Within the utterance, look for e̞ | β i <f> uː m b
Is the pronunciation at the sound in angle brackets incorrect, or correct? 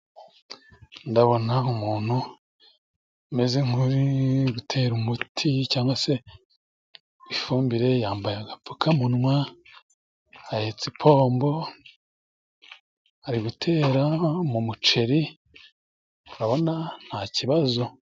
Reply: correct